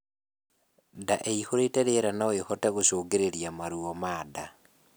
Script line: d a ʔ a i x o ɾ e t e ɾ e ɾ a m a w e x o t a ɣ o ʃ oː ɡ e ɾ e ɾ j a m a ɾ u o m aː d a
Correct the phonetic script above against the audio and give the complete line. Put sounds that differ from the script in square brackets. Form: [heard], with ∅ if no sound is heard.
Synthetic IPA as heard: d a ʔ [e] i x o ɾ e t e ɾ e ɾ a [n] a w e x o t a ɣ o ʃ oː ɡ e ɾ e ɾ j a m a ɾ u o m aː d a